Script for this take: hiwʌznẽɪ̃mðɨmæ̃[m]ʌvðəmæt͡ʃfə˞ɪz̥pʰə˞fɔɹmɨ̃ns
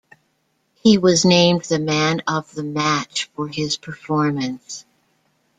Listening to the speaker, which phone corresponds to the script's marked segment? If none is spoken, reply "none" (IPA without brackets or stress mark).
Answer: n